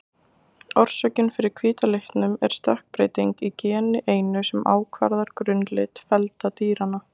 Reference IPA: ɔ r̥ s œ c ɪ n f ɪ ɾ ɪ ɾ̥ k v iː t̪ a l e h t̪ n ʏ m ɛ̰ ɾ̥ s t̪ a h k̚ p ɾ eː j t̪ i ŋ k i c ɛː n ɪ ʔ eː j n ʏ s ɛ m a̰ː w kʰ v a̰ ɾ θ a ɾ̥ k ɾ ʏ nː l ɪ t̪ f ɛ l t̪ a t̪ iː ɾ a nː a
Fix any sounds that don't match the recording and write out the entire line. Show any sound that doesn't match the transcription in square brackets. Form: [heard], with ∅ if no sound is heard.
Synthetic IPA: ɔ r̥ s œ c ɪ n f ɪ ɾ ɪ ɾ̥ [kʰ] v iː t̪ a l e h t̪ n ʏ m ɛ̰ ɾ̥ s t̪ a h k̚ p ɾ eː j t̪ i ŋ k i c ɛː n ɪ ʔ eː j n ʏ s ɛ m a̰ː w kʰ v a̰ ɾ [ð] a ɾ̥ k ɾ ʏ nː l ɪ t̪ f ɛ l t̪ a t̪ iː ɾ a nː a